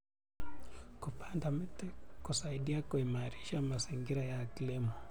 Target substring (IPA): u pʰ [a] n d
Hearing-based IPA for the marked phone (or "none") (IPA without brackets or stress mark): a